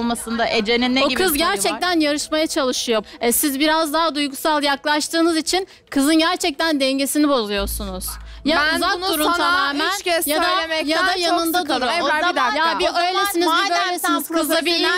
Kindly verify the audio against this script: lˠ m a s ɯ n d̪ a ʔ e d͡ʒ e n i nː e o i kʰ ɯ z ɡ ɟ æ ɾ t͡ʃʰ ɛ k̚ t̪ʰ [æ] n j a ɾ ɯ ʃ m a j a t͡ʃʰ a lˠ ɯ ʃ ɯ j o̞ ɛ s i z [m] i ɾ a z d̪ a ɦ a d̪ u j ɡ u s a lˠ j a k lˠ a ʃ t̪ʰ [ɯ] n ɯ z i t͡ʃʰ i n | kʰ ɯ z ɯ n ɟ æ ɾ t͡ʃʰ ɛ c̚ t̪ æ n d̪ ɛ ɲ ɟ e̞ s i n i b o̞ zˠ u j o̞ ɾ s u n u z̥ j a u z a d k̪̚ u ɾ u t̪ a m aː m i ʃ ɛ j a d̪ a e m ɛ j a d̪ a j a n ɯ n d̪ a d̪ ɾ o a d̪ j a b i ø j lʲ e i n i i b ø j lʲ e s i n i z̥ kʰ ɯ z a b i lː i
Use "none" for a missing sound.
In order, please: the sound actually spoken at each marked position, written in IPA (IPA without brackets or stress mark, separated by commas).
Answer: æ, b, ɯː